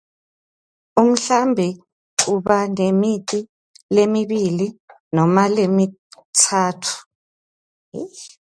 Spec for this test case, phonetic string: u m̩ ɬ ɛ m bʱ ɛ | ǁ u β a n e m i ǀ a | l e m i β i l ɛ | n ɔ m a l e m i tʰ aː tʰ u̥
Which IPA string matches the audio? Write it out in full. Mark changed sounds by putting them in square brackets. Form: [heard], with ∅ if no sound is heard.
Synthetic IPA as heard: u m̩ ɬ [a] m bʱ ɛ | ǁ u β a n e m i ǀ [i] | l e m i β i l [i] | n ɔ m a l e m i tʰ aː tʰ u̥